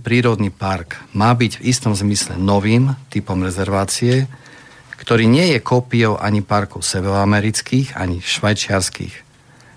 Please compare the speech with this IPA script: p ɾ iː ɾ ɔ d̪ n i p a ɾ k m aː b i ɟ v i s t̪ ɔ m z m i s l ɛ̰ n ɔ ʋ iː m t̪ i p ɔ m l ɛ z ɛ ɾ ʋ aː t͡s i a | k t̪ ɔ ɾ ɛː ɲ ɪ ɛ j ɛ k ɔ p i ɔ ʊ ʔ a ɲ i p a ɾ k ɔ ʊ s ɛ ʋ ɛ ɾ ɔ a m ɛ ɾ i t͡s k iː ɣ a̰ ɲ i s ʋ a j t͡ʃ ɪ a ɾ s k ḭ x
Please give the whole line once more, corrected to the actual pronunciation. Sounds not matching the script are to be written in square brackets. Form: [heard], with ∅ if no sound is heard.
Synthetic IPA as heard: p ɾ iː ɾ ɔ d̪ n i p a ɾ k m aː b i ɟ v i s t̪ ɔ m z m i s l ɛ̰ n ɔ ʋ iː m t̪ i p ɔ m [ɾ] ɛ z ɛ ɾ ʋ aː t͡s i [ɛ] | k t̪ ɔ ɾ [iː] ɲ ɪ ɛ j ɛ k ɔ p i ɔ ʊ ʔ a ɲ i p a ɾ k ɔ ʊ s ɛ ʋ ɛ ɾ ɔ a m ɛ ɾ i t͡s k iː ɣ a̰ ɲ i [ʃ] ʋ a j t͡ʃ ɪ a ɾ s k ḭ x